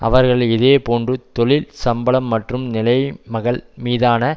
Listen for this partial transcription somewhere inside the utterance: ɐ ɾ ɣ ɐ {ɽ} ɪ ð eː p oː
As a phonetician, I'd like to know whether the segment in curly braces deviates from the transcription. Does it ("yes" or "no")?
yes